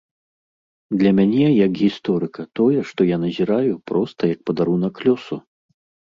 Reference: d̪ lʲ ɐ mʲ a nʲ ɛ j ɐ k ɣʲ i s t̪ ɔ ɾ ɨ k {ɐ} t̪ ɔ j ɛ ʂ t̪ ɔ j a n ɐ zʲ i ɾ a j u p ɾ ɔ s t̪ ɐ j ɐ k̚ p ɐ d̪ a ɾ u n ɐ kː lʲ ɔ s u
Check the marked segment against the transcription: correct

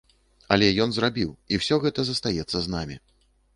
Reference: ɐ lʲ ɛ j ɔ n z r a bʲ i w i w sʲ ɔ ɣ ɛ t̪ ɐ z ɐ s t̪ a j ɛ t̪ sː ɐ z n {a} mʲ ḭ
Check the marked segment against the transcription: correct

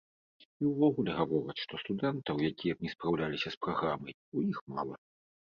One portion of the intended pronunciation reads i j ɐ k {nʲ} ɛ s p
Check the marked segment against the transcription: correct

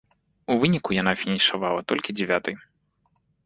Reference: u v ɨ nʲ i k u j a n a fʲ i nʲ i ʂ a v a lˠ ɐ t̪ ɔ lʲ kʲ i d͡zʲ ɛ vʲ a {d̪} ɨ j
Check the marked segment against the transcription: incorrect: t̪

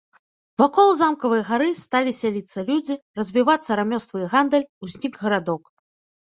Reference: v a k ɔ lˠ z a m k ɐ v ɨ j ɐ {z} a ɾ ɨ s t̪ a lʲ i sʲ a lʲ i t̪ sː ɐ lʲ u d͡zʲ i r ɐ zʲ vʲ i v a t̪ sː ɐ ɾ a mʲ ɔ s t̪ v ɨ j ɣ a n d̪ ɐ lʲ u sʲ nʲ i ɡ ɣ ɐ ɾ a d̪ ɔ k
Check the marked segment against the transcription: incorrect: ɣ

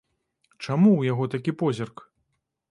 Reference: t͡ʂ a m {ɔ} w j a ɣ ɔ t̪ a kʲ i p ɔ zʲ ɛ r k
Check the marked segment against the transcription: incorrect: u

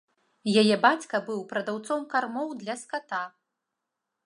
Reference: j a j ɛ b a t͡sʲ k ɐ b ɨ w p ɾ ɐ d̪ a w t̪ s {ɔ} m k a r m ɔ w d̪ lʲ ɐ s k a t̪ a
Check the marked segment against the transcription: correct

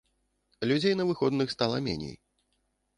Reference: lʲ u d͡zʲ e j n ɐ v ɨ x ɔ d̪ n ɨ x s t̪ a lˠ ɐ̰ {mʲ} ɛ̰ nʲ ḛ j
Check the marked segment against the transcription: correct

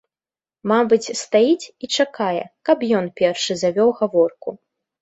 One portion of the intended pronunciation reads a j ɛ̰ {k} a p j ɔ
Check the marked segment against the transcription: correct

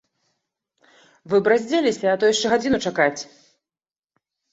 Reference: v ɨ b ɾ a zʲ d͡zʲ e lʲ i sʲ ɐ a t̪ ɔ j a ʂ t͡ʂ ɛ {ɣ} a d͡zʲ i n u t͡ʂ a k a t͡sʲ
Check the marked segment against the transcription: correct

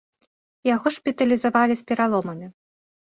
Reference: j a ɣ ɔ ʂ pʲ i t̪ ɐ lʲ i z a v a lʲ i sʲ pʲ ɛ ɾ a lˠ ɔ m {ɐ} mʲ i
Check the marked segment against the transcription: correct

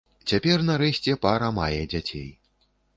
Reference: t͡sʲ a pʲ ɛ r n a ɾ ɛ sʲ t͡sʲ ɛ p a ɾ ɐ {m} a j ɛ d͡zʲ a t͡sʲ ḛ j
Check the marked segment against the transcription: correct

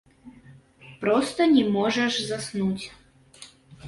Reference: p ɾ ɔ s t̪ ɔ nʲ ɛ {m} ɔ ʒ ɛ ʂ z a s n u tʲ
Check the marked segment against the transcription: correct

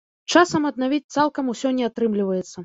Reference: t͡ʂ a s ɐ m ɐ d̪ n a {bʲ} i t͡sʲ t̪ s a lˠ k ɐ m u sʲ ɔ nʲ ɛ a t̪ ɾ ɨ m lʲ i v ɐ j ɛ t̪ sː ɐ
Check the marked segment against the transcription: incorrect: vʲ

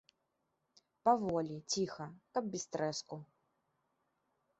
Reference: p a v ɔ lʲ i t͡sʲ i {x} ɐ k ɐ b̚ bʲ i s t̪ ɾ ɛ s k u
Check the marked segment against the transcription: correct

